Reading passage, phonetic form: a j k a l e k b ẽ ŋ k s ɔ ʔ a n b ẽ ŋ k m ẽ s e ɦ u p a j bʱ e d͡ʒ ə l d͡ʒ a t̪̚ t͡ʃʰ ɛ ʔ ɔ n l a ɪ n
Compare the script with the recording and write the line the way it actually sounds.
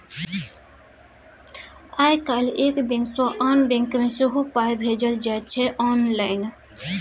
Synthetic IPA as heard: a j k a l e k b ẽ ŋ k s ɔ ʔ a n b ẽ ŋ k m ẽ s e ɦ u p a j bʱ e d͡ʒ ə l d͡ʒ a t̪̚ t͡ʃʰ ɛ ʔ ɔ n l a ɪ n